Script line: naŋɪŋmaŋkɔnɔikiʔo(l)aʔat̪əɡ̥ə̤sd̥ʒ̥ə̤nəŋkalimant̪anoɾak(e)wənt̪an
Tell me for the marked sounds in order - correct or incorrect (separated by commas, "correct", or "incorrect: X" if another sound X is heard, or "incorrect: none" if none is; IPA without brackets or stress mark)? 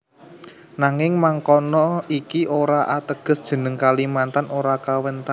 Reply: incorrect: ɾ, incorrect: a